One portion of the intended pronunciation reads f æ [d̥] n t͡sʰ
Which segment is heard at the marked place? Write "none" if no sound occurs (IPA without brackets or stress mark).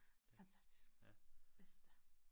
none